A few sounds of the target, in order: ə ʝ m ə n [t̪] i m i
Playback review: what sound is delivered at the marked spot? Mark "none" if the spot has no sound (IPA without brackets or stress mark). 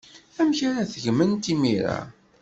t̪